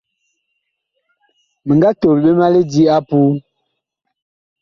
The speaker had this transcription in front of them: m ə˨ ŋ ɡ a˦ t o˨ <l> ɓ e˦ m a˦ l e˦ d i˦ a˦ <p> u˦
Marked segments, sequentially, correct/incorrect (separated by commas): correct, correct